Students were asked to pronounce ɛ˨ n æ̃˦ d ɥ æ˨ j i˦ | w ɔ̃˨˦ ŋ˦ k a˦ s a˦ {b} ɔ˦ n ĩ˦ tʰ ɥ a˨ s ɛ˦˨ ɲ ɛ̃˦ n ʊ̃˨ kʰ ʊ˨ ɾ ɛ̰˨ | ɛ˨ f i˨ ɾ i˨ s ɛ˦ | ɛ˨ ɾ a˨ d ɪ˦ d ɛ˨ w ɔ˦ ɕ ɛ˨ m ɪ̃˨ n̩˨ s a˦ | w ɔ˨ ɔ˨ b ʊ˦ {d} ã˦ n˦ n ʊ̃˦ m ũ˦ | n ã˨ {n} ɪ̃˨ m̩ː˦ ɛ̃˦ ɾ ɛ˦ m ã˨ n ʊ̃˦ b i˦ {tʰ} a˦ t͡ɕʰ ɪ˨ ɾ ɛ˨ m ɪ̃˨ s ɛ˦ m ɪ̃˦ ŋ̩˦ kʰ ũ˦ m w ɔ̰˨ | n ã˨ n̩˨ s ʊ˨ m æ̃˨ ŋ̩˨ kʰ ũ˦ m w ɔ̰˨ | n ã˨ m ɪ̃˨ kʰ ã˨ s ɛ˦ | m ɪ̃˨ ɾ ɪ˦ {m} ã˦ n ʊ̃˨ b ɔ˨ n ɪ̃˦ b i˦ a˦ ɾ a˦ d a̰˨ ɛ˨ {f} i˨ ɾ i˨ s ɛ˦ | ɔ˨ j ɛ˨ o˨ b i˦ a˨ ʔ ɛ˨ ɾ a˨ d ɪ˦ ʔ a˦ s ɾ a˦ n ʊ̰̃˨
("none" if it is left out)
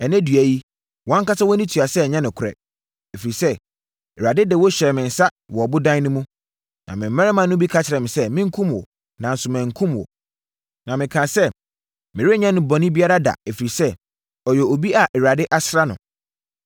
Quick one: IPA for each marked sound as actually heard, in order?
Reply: w, d, m, kʰ, ɲ, f

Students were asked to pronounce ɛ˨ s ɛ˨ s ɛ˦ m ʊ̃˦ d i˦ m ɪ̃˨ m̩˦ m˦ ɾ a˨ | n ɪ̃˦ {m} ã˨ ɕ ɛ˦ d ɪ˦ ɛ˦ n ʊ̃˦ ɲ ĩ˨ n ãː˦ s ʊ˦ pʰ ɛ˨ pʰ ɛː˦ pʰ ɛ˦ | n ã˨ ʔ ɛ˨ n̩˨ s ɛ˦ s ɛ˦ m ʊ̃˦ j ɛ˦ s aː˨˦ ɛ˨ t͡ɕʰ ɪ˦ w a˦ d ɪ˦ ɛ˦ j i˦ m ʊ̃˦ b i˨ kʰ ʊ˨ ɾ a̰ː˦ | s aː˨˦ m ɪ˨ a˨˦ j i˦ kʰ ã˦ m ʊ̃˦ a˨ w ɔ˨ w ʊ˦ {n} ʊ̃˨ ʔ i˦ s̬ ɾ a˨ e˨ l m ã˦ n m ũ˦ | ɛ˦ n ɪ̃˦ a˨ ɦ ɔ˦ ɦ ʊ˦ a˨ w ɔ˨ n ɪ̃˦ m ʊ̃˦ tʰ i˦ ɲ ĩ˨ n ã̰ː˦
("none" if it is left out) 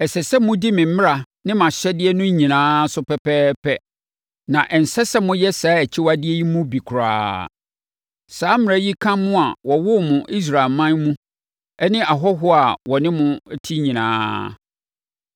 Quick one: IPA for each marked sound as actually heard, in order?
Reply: m, m

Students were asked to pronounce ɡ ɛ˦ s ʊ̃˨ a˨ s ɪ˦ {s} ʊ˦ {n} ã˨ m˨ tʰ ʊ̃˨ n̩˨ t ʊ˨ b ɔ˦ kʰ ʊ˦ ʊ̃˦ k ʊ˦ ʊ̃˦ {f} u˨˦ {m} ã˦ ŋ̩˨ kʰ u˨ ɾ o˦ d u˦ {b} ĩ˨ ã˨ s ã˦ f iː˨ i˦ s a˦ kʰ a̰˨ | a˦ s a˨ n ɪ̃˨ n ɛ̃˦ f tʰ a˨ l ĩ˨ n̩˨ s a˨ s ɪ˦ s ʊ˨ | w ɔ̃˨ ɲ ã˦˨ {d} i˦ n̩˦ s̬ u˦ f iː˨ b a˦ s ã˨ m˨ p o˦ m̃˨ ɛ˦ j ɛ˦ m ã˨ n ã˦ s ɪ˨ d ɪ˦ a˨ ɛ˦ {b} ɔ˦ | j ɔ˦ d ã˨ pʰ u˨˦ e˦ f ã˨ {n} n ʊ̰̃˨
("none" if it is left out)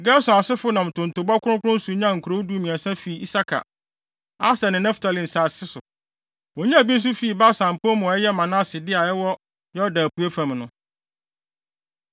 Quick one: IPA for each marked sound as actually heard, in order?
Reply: f, n, s, ɲ, m, b, w, m

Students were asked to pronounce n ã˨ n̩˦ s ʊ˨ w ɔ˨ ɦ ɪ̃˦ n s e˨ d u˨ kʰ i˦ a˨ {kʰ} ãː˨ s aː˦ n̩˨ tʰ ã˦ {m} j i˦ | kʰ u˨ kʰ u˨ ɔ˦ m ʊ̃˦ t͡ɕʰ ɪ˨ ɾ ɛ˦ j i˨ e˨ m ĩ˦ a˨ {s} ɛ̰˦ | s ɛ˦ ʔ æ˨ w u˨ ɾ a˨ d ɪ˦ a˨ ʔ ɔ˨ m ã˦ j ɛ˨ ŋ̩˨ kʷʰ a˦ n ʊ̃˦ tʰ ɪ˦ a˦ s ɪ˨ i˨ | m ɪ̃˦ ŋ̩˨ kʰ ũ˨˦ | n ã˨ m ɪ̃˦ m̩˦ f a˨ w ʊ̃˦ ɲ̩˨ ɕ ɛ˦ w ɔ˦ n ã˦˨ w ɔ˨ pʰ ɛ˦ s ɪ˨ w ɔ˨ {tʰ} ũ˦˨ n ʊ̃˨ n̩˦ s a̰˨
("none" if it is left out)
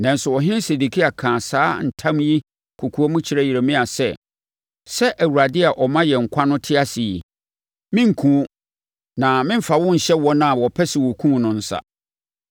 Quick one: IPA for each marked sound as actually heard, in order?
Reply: kʰ, m, s, kʰ

